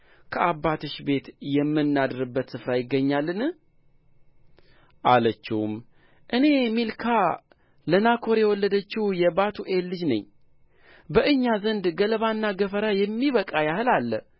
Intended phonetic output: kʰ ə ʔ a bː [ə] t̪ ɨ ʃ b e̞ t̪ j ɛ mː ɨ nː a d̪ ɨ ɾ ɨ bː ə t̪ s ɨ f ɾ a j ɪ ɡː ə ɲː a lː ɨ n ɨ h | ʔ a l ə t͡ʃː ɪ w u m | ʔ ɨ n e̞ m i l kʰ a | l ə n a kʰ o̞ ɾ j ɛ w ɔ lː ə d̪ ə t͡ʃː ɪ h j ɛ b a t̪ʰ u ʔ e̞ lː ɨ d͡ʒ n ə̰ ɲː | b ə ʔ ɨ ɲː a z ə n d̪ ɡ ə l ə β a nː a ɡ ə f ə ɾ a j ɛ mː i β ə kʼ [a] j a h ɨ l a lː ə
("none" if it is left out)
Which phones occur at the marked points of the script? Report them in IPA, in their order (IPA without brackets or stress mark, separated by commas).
a, a